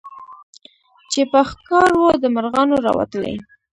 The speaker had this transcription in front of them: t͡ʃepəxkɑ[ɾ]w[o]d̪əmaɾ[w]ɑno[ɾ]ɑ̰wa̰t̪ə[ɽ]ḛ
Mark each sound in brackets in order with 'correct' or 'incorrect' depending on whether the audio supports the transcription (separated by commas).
correct, correct, incorrect, correct, incorrect